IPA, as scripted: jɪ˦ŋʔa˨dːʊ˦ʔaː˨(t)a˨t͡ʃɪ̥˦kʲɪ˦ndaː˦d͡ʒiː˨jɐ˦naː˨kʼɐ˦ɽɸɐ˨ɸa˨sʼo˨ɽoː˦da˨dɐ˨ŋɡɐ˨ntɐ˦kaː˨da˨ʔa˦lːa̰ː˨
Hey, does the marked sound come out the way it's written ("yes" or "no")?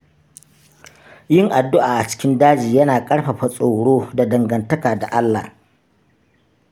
no